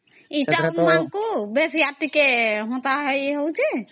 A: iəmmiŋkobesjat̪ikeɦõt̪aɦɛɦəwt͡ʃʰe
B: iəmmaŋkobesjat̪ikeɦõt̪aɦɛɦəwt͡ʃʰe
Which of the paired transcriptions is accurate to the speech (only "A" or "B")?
B